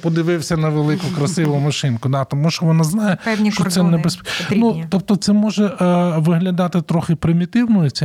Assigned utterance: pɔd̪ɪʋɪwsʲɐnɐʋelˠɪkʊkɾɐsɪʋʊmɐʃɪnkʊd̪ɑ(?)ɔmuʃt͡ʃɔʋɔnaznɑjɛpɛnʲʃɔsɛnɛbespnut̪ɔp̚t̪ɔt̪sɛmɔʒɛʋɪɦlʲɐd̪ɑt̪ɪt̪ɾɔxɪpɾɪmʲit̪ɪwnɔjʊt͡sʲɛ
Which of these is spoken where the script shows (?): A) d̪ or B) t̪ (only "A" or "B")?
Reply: B